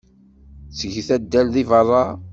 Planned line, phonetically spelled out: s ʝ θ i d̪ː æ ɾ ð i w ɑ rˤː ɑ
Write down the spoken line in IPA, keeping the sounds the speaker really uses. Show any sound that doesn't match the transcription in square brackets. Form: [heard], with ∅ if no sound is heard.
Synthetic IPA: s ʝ θ [æ] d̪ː æ [l] ð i [v] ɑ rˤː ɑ